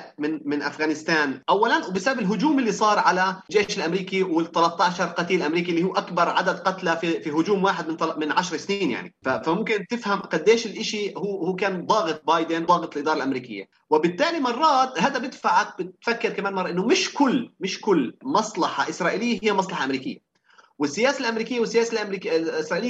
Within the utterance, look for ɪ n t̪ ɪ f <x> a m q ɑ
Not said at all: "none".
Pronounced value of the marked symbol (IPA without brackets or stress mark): h